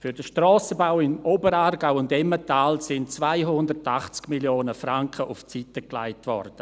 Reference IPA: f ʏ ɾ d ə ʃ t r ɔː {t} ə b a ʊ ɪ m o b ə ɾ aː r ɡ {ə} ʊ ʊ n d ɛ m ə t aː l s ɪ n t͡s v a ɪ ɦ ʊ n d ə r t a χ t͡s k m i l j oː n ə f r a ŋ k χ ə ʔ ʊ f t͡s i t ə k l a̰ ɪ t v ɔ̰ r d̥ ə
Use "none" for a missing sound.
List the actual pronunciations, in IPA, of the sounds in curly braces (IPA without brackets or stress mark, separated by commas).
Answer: s, a